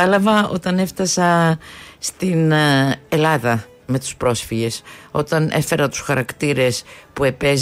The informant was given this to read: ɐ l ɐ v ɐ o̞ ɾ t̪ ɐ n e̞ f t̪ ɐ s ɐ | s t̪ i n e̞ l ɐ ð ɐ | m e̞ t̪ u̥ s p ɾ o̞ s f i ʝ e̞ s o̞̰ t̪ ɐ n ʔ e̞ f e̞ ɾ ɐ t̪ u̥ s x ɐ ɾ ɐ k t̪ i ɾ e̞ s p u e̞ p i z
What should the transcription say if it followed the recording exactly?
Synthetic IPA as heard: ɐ l ɐ v ɐ o̞ t̪ ɐ n e̞ f t̪ ɐ s ɐ | s t̪ i n e̞ l ɐ ð ɐ | m e̞ t̪ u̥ s p ɾ o̞ s f i ʝ e̞ s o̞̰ t̪ ɐ n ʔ e̞ f e̞ ɾ ɐ t̪ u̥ s x ɐ ɾ ɐ k t̪ i ɾ e̞ s p u e̞ p e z